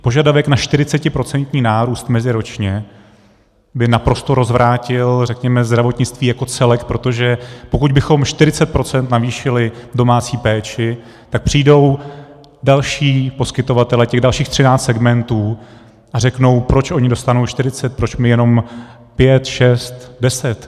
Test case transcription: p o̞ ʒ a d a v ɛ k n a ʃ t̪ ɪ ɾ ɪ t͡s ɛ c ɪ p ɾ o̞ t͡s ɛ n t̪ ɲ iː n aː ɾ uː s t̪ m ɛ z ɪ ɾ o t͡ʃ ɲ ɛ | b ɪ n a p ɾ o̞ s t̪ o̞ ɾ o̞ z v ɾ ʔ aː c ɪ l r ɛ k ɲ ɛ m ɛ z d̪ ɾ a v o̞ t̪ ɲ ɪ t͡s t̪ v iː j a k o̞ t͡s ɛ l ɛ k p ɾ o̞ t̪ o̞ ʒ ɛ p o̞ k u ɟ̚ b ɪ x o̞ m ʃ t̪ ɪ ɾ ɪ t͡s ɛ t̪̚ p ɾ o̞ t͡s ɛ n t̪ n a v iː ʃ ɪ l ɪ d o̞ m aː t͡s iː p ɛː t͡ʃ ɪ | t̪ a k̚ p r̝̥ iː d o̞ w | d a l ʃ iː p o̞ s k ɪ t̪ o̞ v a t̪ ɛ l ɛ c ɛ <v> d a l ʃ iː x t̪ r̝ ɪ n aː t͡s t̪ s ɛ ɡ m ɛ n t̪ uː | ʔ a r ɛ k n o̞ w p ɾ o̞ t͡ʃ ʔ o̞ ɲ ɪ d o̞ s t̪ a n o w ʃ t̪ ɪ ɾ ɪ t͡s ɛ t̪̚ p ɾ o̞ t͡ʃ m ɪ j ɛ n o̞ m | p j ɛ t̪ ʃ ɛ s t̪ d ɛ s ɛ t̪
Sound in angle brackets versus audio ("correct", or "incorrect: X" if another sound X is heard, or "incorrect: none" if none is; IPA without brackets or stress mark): incorrect: ɣ